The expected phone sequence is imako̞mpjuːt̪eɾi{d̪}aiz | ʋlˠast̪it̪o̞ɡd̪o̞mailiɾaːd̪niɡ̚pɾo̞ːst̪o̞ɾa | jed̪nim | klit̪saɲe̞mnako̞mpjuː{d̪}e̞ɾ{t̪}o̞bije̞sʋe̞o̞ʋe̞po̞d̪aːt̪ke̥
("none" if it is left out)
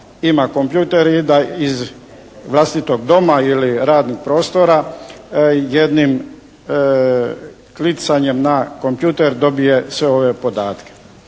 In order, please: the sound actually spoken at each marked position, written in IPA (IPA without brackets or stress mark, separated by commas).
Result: d̪, t̪, d̪